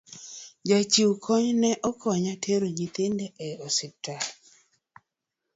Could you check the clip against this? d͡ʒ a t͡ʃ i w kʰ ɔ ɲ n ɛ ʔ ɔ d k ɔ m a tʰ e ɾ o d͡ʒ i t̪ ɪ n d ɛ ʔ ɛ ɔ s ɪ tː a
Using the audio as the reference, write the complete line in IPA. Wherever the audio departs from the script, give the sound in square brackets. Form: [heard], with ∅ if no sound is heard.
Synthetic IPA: d͡ʒ a t͡ʃ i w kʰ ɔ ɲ n ɛ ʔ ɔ [∅] k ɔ [ɲ] a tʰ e ɾ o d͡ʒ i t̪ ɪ n d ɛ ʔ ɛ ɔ s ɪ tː a